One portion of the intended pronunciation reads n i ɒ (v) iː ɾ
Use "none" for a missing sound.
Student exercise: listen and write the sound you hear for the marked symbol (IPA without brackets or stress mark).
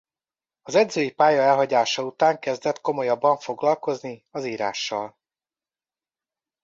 z